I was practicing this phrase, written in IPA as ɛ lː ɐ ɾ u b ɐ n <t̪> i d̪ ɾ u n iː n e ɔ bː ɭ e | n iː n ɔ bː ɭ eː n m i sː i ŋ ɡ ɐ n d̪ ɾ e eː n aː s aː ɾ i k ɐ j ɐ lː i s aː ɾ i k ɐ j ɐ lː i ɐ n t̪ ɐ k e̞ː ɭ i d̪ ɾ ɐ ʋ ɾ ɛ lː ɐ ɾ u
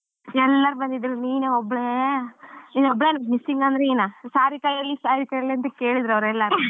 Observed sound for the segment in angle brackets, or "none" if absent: d̪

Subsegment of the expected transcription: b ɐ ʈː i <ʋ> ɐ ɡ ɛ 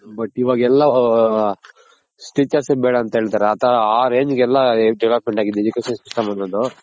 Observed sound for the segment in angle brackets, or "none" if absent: ʋ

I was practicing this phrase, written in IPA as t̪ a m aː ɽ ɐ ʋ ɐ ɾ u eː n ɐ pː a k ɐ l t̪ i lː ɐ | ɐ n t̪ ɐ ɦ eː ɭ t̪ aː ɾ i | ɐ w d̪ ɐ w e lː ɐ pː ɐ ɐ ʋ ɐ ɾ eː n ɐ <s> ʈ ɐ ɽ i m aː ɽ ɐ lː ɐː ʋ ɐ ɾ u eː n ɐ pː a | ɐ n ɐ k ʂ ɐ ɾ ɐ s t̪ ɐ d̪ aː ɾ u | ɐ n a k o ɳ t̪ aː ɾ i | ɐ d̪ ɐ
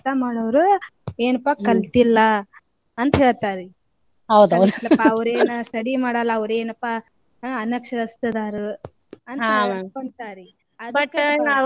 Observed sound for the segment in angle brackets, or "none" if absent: s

